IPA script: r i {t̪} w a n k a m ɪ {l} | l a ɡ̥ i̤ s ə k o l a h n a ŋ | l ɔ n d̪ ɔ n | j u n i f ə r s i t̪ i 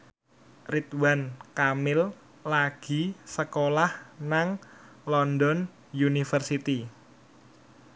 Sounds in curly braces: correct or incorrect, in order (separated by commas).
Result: correct, correct